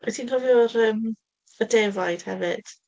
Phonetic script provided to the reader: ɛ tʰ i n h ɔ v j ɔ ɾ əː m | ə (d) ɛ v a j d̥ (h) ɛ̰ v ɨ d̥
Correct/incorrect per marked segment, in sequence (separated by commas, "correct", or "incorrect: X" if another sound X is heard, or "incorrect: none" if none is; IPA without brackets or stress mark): correct, correct